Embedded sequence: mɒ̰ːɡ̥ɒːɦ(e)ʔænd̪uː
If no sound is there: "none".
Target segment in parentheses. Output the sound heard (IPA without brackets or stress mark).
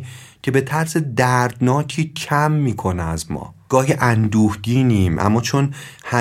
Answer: i